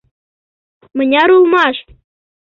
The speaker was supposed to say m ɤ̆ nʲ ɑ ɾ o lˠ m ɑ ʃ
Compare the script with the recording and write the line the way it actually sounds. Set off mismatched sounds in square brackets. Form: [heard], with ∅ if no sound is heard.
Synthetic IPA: m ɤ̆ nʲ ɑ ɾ [u] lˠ m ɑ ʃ